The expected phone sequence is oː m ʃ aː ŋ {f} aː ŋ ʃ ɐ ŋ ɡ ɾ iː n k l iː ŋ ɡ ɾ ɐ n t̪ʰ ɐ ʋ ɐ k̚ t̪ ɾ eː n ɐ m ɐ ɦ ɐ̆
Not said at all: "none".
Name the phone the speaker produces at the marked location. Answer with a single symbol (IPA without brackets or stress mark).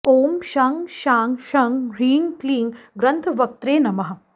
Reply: ʃ